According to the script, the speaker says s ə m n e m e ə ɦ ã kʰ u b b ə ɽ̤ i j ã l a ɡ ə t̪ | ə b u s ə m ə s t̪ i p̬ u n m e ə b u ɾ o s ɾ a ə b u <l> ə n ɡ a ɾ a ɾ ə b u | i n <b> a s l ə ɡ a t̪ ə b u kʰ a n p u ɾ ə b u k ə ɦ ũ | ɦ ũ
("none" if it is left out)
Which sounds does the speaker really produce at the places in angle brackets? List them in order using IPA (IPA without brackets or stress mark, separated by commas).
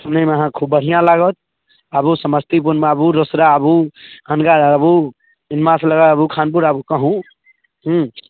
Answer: none, m